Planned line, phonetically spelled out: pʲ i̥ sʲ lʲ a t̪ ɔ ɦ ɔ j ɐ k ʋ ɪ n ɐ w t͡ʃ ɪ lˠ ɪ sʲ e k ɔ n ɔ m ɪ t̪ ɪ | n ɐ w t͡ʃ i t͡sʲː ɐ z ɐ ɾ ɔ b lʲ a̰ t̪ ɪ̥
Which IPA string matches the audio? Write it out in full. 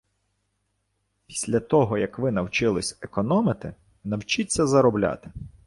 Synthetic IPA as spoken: pʲ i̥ sʲ lʲ ɐ t̪ ɔ ɦ ɔ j ɐ k ʋ ɪ n ɐ w t͡ʃ ɪ lˠ ɪ sʲ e k ɔ n ɔ m ɪ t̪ ɪ | n ɐ w t͡ʃ i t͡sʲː ɐ z ɐ ɾ ɔ b lʲ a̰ t̪ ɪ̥